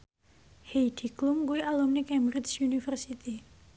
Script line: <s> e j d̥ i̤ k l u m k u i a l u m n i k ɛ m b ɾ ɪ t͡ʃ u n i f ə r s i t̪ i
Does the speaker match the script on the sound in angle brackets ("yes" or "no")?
no